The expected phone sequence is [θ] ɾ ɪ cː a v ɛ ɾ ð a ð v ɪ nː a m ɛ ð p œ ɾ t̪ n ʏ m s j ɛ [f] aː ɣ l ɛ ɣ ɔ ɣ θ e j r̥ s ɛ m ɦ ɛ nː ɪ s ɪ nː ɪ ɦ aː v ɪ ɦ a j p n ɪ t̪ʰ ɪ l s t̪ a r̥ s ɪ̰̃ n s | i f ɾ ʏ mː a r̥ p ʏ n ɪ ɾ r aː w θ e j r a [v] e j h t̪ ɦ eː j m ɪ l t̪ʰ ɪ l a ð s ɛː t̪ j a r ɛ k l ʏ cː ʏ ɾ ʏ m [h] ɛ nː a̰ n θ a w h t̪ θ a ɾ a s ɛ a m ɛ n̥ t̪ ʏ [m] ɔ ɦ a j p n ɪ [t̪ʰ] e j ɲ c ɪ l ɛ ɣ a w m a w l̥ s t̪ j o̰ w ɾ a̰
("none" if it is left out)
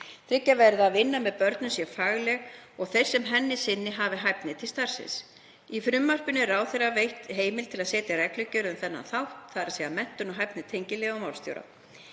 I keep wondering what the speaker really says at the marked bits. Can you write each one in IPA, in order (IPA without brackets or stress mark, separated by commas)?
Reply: θ, f, v, θ, n, t̪ʰ